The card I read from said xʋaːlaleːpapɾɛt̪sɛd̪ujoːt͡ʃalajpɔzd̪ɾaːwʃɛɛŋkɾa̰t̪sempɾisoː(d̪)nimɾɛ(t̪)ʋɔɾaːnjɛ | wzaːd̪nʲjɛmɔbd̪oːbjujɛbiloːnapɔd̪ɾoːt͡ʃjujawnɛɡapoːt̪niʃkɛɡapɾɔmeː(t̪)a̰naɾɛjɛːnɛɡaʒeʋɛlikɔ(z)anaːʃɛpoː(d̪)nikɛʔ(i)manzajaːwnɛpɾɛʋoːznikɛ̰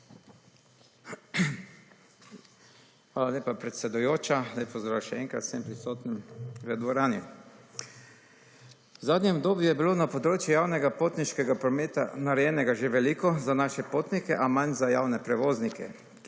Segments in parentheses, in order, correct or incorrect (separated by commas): incorrect, incorrect, correct, correct, incorrect, incorrect